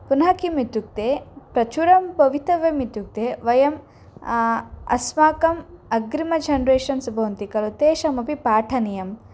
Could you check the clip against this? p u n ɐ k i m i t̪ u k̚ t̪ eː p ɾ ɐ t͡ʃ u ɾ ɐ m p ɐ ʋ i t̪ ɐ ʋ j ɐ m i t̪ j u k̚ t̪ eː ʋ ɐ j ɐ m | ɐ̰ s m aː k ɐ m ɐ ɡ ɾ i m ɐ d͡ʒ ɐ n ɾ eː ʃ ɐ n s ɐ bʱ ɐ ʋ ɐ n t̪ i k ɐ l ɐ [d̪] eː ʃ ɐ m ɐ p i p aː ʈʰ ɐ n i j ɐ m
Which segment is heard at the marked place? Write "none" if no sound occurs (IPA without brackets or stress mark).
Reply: t̪